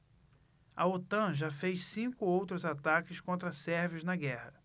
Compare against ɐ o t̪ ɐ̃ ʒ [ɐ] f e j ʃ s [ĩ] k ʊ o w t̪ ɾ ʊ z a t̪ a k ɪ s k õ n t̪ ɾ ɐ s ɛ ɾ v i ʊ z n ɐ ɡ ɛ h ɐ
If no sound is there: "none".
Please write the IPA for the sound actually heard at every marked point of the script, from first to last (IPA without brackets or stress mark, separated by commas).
a, ĩ